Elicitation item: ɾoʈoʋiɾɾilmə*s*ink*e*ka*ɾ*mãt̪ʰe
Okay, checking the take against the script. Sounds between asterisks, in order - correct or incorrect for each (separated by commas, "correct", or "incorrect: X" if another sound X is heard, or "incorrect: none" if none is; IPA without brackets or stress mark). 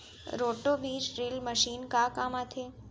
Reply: incorrect: ʃ, incorrect: a, incorrect: none